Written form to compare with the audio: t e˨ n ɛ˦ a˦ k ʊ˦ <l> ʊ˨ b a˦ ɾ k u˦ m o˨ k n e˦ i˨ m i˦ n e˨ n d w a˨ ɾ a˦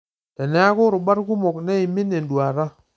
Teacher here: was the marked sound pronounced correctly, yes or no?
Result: no